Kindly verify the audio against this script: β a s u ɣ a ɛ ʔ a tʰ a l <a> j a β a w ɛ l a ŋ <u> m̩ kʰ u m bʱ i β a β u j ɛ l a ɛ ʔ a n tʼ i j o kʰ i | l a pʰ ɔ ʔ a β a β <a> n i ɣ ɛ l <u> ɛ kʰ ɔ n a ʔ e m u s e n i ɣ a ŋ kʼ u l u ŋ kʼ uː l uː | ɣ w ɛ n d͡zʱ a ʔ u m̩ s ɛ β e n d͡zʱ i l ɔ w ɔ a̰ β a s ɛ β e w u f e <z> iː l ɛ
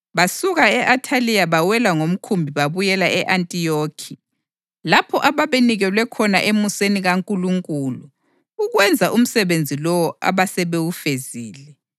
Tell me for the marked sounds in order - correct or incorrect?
incorrect, incorrect, incorrect, incorrect, correct

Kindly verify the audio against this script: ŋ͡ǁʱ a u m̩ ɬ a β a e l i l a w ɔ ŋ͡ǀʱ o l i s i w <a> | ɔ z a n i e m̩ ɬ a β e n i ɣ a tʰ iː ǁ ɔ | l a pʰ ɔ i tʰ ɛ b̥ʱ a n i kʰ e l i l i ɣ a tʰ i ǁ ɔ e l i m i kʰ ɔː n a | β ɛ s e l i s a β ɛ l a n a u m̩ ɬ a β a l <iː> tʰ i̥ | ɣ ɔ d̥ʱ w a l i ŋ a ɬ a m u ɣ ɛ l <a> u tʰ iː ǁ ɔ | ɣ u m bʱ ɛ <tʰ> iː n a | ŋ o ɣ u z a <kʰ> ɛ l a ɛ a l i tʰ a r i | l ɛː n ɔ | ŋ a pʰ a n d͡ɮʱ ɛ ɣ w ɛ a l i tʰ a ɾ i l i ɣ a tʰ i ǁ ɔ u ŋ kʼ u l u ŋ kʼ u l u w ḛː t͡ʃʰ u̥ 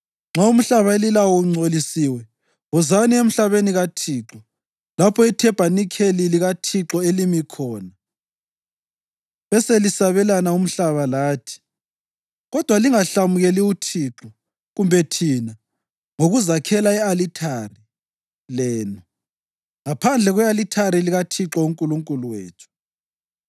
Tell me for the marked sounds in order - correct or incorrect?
incorrect, incorrect, incorrect, correct, correct

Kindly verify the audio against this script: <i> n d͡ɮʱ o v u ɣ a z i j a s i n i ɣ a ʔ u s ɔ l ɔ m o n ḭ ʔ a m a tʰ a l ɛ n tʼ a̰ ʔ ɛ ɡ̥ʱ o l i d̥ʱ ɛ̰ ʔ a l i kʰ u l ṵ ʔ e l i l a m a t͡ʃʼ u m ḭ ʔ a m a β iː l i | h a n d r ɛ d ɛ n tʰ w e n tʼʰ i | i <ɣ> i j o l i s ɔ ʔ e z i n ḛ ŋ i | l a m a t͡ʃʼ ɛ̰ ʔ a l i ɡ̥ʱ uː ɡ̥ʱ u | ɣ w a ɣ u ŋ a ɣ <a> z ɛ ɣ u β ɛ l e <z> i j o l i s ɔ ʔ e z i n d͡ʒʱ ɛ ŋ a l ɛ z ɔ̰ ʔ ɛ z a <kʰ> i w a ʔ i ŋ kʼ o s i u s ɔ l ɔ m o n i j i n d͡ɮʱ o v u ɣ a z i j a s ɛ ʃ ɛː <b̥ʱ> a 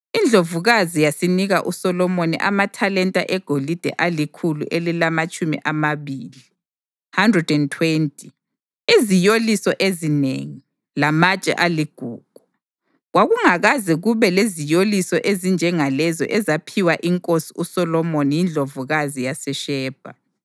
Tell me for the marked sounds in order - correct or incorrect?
correct, incorrect, correct, correct, incorrect, correct

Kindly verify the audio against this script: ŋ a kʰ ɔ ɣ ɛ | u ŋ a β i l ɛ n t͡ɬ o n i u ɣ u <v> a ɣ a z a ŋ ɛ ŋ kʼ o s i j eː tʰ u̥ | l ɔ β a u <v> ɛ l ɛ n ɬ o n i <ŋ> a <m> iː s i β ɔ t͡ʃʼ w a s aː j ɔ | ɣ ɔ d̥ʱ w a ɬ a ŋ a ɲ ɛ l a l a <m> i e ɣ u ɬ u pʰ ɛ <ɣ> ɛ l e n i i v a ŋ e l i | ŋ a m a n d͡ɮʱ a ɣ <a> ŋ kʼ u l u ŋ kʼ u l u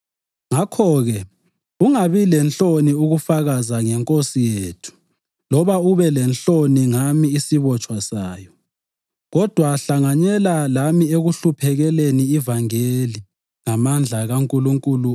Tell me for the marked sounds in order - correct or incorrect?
incorrect, incorrect, correct, correct, correct, correct, correct

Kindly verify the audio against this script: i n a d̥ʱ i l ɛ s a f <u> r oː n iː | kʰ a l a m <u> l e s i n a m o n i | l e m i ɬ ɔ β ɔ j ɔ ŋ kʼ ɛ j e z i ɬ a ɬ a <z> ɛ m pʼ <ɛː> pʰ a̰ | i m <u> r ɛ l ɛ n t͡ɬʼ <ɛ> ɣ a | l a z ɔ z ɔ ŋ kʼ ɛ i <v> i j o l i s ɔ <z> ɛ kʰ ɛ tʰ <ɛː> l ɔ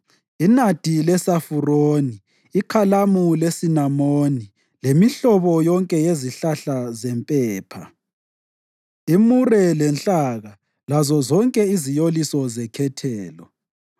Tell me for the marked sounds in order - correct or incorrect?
correct, correct, correct, correct, correct, incorrect, incorrect, correct, correct

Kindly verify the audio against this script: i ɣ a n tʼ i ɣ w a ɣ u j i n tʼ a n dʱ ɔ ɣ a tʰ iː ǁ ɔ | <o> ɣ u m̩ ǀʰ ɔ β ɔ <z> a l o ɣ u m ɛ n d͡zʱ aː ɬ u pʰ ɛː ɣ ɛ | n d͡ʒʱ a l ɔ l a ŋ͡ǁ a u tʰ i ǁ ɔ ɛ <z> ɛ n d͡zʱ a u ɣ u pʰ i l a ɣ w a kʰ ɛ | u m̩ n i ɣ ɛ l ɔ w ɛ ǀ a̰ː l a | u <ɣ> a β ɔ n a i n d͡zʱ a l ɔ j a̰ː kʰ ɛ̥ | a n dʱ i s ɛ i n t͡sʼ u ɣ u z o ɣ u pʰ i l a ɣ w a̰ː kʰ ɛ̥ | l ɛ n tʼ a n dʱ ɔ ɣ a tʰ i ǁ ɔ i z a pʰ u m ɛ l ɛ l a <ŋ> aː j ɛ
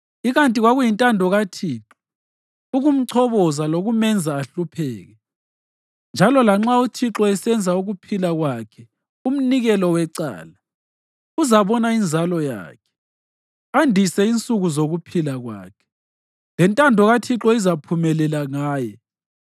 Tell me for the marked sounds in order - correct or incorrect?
incorrect, correct, incorrect, incorrect, correct

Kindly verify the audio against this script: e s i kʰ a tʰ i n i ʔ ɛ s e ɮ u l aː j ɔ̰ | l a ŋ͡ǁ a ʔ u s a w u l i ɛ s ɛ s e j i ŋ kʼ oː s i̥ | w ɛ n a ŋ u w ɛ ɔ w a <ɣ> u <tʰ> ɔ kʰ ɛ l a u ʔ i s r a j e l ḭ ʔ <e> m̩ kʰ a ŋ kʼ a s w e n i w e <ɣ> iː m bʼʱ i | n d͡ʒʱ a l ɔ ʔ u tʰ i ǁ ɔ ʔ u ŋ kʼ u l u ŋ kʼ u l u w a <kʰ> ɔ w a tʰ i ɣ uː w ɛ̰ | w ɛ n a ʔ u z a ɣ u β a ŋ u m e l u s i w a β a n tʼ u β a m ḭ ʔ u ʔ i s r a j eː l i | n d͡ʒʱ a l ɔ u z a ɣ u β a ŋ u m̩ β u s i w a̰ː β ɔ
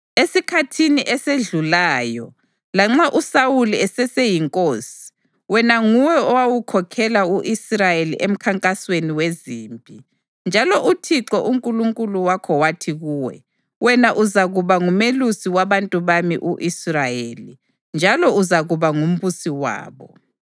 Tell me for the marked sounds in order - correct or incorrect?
incorrect, incorrect, correct, incorrect, correct

